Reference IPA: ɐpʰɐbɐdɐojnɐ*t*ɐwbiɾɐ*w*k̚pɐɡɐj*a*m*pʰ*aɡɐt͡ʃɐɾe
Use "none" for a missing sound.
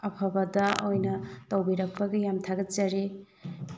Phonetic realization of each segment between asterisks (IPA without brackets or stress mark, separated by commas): t, none, a, tʰ